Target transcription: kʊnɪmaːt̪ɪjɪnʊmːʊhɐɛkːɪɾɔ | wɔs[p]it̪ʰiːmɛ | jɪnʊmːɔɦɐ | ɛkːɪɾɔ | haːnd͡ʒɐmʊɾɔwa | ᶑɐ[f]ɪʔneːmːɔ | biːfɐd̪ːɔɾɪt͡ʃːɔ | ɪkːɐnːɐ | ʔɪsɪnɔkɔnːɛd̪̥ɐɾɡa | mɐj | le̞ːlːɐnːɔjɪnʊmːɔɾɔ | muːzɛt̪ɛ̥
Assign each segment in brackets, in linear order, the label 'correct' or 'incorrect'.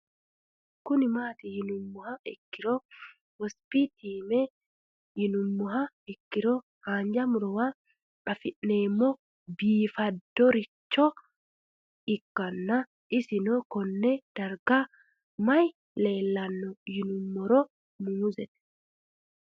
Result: correct, correct

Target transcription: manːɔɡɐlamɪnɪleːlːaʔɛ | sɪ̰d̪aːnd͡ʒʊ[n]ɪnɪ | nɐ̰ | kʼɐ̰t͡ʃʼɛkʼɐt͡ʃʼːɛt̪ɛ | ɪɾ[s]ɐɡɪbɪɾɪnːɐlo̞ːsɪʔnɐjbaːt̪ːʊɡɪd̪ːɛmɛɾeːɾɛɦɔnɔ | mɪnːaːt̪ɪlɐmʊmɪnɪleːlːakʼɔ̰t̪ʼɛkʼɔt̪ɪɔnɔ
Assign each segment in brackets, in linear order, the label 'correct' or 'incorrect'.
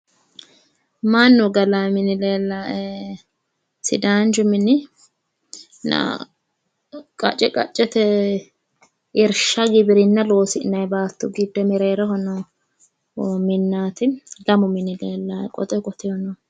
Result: incorrect: m, incorrect: ʃ

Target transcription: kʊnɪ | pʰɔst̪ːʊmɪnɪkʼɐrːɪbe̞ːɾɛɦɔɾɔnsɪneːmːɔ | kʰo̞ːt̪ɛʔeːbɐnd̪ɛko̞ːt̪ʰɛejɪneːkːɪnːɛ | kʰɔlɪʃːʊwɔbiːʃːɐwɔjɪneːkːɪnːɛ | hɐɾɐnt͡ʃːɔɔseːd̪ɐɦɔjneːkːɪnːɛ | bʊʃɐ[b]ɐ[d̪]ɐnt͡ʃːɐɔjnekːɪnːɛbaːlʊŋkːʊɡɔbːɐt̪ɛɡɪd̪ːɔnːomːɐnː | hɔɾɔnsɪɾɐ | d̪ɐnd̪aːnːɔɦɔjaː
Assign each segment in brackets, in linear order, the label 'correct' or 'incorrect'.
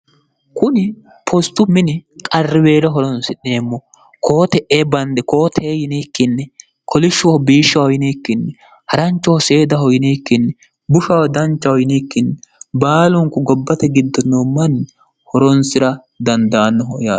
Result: incorrect: w, correct

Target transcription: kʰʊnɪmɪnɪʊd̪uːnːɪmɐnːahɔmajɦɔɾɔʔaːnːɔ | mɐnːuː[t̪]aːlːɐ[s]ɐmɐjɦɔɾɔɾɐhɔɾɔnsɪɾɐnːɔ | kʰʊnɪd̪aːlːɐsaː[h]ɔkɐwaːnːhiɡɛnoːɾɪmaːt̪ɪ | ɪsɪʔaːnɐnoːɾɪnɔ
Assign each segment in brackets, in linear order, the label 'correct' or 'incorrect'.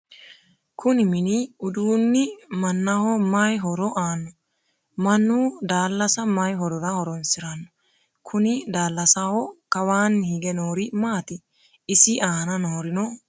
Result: incorrect: d̪, correct, correct

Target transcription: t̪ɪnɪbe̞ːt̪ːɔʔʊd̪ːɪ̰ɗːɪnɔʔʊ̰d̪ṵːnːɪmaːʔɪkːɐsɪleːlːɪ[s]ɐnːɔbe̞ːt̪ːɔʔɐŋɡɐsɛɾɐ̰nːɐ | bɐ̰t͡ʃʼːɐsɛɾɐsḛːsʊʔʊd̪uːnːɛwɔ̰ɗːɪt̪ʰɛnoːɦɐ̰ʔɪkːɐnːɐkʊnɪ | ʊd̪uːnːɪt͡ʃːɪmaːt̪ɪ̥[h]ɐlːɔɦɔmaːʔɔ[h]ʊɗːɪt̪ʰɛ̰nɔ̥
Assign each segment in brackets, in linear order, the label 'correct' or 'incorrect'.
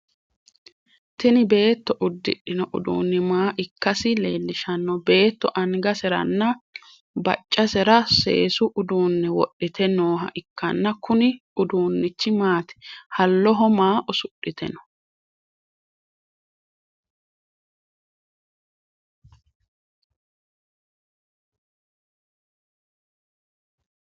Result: incorrect: ʃ, correct, incorrect: s

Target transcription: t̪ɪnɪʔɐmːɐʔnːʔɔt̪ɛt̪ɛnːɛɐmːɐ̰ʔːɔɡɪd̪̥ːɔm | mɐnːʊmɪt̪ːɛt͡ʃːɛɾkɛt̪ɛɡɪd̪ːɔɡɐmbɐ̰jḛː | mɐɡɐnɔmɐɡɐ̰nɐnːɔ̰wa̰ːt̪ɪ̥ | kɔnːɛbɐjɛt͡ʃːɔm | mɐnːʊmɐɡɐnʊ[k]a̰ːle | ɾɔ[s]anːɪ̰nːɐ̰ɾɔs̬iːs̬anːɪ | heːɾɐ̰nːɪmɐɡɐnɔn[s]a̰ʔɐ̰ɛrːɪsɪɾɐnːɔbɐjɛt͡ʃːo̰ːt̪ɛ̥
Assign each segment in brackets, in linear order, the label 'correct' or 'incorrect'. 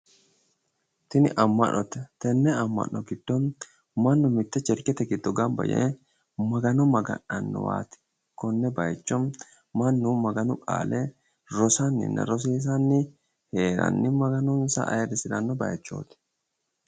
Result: incorrect: kʼ, correct, correct

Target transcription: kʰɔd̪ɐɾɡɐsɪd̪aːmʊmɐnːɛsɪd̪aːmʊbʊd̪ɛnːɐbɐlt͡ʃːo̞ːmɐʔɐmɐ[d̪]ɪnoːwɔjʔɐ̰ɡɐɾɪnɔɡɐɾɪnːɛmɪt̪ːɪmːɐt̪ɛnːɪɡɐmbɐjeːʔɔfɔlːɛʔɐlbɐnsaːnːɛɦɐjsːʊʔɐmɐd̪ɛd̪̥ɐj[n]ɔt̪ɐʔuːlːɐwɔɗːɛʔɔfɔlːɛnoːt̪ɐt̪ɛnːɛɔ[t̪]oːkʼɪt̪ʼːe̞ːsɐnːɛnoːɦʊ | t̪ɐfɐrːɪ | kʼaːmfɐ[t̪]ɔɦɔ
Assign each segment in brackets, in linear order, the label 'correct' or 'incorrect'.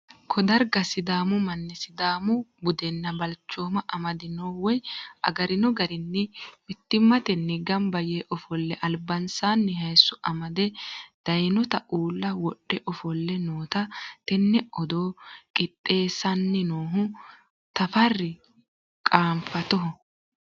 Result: correct, correct, incorrect: d̪, correct

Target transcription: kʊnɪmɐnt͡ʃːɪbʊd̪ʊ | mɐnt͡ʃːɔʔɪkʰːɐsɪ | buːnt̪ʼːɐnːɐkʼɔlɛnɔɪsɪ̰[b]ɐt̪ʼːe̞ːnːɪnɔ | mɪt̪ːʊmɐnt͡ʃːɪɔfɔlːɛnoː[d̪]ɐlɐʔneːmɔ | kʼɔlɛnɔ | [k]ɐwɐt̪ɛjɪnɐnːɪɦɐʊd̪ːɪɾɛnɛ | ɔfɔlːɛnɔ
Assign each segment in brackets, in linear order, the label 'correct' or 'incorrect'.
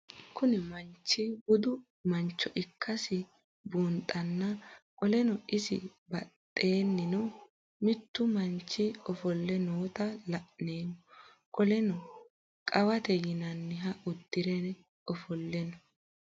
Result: correct, incorrect: t̪, incorrect: kʼ

